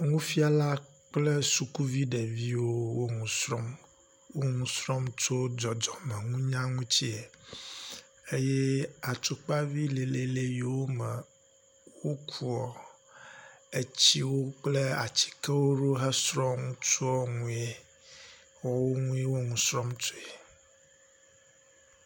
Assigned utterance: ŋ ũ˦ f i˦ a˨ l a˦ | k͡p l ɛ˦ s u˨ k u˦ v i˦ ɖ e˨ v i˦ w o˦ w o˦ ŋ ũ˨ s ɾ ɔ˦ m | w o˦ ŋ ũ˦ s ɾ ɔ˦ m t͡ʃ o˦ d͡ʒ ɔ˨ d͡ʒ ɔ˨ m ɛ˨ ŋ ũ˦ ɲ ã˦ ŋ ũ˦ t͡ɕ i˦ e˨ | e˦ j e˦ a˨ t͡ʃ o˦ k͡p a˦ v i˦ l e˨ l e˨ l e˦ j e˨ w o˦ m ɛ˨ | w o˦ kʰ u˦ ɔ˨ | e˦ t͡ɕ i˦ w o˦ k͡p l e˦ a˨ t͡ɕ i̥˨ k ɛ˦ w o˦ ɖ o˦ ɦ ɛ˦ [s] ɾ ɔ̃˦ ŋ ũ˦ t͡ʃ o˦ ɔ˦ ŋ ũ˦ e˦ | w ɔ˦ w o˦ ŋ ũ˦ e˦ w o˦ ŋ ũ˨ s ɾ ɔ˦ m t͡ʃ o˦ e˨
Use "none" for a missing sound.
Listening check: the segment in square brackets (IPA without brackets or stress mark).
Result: s